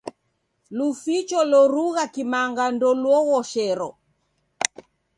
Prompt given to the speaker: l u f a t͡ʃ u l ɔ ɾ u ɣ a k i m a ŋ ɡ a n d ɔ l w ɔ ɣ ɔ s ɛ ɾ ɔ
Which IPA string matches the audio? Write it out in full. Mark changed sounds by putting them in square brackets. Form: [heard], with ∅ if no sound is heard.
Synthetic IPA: l u f [i] t͡ʃ [ɔ] l ɔ ɾ u ɣ a k i m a ŋ ɡ a n d ɔ l w ɔ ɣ ɔ [ʃ] ɛ ɾ ɔ